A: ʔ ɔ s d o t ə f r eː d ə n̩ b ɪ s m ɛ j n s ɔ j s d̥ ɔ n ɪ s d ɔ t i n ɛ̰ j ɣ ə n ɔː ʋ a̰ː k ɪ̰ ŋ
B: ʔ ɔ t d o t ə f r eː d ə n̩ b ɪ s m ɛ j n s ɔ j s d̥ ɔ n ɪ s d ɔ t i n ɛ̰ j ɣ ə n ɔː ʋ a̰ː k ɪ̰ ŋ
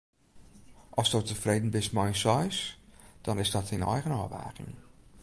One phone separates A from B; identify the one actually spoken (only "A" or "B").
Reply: A